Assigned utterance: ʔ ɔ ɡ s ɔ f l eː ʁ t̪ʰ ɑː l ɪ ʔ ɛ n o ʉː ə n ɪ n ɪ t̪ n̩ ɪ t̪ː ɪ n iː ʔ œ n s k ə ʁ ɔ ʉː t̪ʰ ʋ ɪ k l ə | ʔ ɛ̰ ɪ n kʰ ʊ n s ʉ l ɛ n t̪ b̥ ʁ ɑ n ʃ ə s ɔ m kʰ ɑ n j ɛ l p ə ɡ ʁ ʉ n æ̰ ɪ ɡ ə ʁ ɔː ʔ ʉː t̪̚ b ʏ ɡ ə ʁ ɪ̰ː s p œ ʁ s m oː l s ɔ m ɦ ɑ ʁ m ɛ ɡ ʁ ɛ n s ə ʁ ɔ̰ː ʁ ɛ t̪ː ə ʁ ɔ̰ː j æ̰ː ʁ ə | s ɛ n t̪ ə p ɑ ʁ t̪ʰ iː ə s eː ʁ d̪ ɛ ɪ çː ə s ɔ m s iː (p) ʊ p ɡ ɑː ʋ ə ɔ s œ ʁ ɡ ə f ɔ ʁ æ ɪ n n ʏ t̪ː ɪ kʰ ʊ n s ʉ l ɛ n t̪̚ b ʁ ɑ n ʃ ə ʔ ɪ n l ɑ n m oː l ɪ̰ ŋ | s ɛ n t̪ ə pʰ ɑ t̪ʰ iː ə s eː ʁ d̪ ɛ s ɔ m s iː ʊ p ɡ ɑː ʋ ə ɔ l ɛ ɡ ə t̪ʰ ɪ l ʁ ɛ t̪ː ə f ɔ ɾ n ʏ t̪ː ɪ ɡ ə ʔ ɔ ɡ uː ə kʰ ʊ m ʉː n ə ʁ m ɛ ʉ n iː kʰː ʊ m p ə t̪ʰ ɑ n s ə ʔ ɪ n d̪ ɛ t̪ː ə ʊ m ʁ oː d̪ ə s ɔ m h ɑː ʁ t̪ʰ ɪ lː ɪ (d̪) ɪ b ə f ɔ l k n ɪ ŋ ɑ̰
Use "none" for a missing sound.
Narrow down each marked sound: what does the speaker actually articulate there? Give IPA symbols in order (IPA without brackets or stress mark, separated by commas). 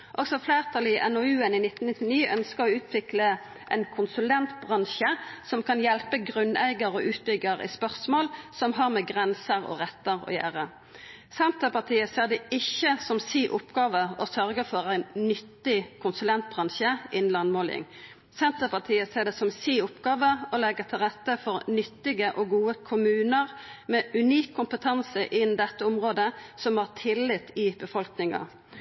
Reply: ʔ, t̪